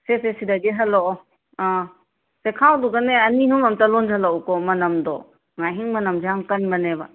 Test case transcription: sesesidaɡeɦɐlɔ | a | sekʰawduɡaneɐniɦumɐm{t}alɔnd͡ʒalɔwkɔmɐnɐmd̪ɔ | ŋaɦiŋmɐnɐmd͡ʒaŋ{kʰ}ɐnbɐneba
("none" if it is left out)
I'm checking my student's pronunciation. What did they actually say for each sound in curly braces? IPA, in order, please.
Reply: t, k

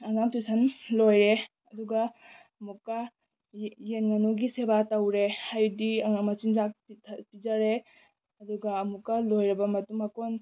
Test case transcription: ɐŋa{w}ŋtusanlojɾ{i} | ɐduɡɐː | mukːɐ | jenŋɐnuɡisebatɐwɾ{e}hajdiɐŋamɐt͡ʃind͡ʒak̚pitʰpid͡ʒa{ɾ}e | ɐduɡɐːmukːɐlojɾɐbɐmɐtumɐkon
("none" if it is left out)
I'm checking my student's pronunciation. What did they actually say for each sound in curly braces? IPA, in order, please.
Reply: none, e, e, ɾ

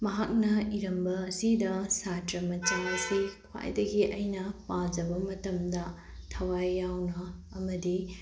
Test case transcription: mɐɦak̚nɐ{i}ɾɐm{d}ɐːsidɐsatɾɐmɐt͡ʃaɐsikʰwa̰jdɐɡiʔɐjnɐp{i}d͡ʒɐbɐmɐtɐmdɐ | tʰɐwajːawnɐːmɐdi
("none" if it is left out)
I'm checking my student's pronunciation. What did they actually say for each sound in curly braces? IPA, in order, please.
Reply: i, b, a

